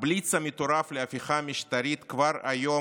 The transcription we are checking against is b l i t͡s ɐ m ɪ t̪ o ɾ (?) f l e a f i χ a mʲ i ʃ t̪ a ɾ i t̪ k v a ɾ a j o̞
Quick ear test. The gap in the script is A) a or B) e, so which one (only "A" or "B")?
A